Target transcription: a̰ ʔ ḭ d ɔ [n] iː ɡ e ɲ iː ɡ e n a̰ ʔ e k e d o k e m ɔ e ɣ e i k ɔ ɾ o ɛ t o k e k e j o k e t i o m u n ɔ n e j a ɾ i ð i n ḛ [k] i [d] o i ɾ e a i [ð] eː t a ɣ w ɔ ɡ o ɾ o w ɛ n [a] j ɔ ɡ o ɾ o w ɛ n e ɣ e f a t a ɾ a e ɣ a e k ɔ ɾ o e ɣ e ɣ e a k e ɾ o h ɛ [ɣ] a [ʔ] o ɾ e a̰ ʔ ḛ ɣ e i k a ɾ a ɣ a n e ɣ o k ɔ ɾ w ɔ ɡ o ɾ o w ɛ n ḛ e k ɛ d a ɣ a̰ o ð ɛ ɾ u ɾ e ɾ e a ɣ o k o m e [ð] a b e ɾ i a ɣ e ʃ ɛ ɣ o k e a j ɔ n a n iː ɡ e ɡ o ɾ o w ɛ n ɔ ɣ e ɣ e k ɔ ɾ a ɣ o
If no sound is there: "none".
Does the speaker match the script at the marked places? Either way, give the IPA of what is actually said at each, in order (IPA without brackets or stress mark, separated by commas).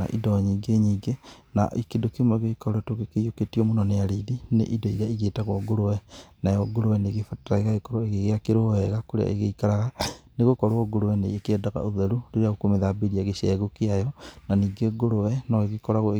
ɲ, ʔ, d, ɣ, a, ɣ, k, ð